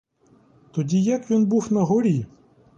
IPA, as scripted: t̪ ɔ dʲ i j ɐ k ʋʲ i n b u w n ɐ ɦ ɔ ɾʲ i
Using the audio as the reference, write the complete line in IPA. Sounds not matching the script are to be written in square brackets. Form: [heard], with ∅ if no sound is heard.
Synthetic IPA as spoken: t̪ ɔ dʲ i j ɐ k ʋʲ i n b u w n ɐ ɦ ɔ ɾʲ i

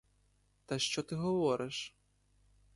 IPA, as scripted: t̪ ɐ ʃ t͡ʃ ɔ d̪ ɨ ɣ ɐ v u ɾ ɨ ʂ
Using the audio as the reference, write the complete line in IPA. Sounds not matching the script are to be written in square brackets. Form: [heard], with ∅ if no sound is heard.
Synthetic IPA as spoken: t̪ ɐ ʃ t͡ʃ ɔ [t̪] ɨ ɣ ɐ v [ɔ] ɾ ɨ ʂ

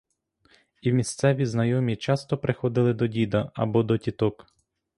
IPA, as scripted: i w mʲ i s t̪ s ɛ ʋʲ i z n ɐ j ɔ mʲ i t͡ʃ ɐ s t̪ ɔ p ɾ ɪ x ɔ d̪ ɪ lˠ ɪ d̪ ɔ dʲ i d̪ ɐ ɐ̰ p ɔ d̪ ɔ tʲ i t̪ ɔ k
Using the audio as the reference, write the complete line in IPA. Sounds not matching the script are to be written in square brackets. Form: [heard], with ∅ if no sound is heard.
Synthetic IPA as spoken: i w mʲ i s t̪ s ɛ ʋʲ i z n ɐ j ɔ mʲ i t͡ʃ [ɑ] s t̪ ɔ p ɾ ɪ x ɔ d̪ ɪ lˠ ɪ d̪ ɔ dʲ i d̪ ɐ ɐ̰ [b] ɔ d̪ ɔ tʲ i t̪ ɔ k

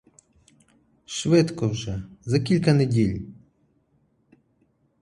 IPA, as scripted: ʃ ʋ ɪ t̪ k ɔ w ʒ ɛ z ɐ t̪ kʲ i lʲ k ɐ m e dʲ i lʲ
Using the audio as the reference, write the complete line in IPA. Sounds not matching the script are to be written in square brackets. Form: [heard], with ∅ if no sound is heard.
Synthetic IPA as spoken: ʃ ʋ ɪ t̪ k ɔ w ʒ ɛ z ɐ [∅] kʲ i lʲ k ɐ [n] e dʲ i lʲ

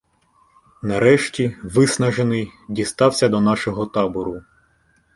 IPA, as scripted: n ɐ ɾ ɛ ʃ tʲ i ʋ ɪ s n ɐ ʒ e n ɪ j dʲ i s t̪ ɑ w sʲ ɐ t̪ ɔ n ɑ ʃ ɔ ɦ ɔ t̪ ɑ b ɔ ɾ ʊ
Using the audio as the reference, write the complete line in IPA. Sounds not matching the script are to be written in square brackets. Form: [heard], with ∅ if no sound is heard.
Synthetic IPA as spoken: n ɐ ɾ ɛ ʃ tʲ i ʋ ɪ s n ɐ ʒ e n ɪ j dʲ i s t̪ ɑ w sʲ ɐ [d̪] ɔ n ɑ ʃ ɔ ɦ ɔ t̪ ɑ b ɔ ɾ ʊ

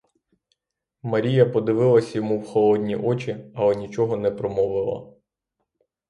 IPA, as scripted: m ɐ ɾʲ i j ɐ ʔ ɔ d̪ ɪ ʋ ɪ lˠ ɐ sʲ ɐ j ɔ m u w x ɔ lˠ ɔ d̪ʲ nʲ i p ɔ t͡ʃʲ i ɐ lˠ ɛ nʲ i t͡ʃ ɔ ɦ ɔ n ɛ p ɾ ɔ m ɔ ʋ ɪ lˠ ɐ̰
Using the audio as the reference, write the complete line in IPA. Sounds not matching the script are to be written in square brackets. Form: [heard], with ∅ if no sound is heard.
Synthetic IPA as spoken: m ɐ ɾʲ i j ɐ [p] ɔ d̪ ɪ ʋ ɪ lˠ ɐ sʲ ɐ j ɔ m u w x ɔ lˠ ɔ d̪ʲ nʲ i [ʔ] ɔ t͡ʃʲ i ɐ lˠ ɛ nʲ i t͡ʃ ɔ ɦ ɔ n ɛ p ɾ ɔ m ɔ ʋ ɪ lˠ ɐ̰

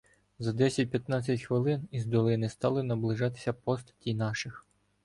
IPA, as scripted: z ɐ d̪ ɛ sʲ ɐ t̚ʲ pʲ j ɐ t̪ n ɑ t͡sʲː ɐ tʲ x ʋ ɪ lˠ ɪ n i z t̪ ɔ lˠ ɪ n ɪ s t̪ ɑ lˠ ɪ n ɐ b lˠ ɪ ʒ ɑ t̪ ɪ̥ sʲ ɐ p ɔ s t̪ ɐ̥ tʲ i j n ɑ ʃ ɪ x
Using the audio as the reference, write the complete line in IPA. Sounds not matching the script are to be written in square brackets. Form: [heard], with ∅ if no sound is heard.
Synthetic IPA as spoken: z ɐ d̪ ɛ sʲ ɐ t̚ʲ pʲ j ɐ t̪ n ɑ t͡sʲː ɐ tʲ x ʋ ɪ lˠ ɪ n i z [d̪] ɔ lˠ ɪ n ɪ s t̪ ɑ lˠ ɪ n ɐ b lˠ ɪ ʒ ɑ t̪ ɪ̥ sʲ ɐ p ɔ s t̪ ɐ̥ tʲ i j n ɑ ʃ ɪ x

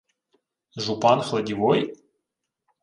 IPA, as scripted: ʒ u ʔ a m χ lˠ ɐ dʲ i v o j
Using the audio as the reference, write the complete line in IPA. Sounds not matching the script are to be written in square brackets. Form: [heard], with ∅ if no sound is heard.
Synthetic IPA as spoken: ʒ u [p] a [n] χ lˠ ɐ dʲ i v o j

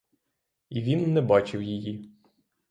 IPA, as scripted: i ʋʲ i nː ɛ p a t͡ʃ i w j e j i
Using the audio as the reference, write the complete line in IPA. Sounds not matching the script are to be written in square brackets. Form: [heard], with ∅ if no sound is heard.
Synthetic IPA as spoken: i ʋʲ i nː ɛ [b] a t͡ʃ [ɪ] w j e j i

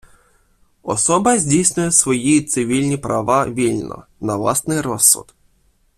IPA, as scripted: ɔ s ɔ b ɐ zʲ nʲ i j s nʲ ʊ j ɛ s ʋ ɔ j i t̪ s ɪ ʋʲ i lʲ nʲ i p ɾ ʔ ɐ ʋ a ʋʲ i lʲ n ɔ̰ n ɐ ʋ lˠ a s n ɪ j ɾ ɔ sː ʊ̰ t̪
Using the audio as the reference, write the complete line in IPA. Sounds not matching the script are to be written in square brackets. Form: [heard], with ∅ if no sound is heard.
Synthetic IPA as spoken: ɔ s ɔ b ɐ zʲ [dʲ] i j s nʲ ʊ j ɛ s ʋ ɔ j i t̪ s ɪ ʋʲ i lʲ nʲ i p ɾ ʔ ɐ ʋ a ʋʲ i lʲ n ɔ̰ n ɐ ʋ lˠ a s n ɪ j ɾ ɔ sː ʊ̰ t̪

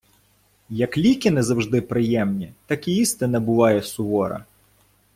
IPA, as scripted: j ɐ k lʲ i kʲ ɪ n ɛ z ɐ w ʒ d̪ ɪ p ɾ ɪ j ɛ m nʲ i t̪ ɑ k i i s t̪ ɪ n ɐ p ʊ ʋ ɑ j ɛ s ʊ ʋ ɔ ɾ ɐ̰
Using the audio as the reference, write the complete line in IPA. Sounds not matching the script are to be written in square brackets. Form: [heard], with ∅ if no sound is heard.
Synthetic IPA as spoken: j ɐ k lʲ i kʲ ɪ n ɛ z ɐ w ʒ d̪ ɪ p ɾ ɪ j ɛ m nʲ i t̪ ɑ k i i s t̪ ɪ n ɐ [b] ʊ ʋ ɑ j ɛ s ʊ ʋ ɔ ɾ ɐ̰

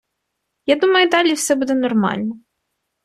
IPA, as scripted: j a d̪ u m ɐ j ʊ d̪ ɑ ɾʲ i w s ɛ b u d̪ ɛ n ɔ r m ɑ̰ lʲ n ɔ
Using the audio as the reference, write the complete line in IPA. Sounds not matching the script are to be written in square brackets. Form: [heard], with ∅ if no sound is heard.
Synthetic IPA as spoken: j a d̪ u m ɐ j ʊ d̪ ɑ [lʲ] i w s ɛ b u d̪ ɛ n ɔ r m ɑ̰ lʲ n ɔ

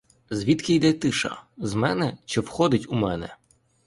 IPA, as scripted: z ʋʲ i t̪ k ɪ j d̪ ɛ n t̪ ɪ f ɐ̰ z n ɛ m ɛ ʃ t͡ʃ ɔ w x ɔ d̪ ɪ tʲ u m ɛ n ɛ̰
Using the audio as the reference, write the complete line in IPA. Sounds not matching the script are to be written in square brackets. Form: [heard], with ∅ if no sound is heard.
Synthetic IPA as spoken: z ʋʲ i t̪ k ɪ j d̪ ɛ [∅] t̪ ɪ [ʃ] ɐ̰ z [m] ɛ [n] ɛ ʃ t͡ʃ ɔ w x ɔ d̪ ɪ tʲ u m ɛ n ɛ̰

